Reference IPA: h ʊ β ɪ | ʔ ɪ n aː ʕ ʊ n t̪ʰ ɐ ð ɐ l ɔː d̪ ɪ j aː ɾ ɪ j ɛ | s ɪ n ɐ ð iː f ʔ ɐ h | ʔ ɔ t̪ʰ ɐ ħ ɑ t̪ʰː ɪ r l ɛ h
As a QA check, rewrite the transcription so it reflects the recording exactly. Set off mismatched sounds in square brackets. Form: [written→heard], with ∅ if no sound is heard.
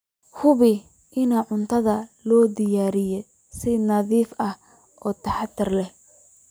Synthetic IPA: h ʊ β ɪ | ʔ ɪ n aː ʕ ʊ n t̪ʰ ɐ ð ɐ l ɔː d̪ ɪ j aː ɾ ɪ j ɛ | s ɪ n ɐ ð iː f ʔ ɐ h | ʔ [ɔ→ɔː] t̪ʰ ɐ ħ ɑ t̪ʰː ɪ r l ɛ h